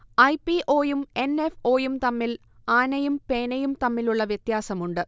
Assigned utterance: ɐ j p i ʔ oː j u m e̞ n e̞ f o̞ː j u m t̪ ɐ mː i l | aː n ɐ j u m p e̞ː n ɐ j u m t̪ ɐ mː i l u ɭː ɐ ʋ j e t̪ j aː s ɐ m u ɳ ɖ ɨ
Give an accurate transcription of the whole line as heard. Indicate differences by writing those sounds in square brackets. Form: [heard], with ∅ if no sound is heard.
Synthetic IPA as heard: ɐ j p i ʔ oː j u m e̞ n e̞ f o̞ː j u m t̪ ɐ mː i l | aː n ɐ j u m p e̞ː n ɐ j u m t̪ ɐ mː i l u ɭː ɐ ʋ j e t̪ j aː s ɐ m u ɳ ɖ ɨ